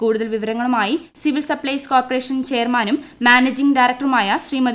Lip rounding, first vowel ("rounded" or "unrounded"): rounded